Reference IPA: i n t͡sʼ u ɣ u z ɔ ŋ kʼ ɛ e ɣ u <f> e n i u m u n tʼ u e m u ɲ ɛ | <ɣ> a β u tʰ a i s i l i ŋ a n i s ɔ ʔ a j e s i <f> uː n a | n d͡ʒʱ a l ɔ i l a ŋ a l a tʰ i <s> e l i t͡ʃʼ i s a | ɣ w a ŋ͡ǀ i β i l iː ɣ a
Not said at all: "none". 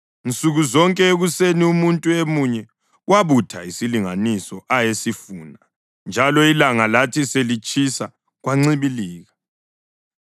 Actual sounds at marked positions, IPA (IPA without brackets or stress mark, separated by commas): s, w, f, s